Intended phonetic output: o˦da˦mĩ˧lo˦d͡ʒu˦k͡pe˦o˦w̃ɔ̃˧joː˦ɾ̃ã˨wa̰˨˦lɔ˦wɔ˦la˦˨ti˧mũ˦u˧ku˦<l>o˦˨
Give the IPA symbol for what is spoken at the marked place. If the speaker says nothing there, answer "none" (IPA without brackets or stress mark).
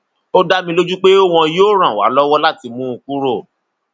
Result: ɾ